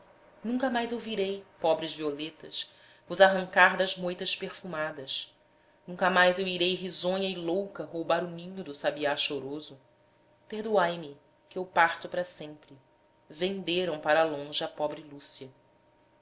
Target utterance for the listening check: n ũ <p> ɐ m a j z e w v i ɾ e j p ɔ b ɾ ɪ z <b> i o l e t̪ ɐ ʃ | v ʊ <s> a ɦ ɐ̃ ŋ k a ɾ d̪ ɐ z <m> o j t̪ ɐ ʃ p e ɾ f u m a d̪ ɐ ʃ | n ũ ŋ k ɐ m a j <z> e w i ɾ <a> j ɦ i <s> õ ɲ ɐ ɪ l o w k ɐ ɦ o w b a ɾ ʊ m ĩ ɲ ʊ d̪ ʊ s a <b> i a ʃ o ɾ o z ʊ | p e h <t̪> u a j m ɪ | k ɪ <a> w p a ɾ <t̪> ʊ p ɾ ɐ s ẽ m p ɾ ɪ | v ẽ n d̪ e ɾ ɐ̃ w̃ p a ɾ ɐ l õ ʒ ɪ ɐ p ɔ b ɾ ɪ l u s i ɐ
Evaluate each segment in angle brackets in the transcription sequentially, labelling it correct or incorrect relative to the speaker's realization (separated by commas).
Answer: incorrect, incorrect, incorrect, correct, correct, incorrect, incorrect, correct, incorrect, incorrect, correct